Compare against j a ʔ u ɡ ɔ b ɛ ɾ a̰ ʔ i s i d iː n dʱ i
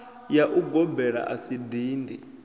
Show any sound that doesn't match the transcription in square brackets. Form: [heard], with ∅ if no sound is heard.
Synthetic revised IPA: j a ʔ u ɡ ɔ b ɛ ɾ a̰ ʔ [a] s i d iː n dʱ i